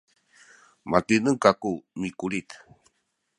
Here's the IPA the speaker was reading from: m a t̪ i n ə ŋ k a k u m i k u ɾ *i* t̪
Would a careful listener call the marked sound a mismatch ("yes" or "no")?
no